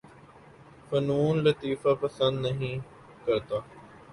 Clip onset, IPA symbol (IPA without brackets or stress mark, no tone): f